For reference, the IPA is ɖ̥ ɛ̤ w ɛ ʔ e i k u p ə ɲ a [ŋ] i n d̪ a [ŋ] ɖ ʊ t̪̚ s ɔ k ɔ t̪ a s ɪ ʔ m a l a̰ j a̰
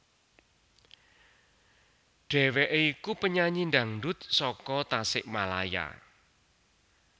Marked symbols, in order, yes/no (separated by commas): no, yes